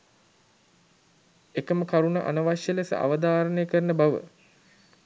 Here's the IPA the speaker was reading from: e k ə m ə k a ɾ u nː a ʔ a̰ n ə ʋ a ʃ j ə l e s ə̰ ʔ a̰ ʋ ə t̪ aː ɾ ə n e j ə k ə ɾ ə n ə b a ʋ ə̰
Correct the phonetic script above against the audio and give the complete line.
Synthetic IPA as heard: e k ə m ə k a ɾ u n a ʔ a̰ n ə ʋ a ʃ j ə l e s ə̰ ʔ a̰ ʋ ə d̪ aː ɾ ə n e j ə k ə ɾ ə n ə b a ʋ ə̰